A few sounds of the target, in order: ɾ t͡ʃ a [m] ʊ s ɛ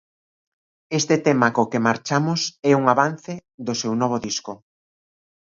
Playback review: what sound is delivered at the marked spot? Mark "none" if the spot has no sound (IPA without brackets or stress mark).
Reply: m